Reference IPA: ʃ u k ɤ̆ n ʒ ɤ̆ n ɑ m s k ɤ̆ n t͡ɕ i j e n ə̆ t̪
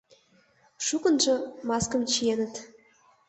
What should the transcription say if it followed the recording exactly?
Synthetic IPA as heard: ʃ u k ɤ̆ n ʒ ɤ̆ m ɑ s k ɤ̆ m t͡ɕ i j e n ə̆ t̪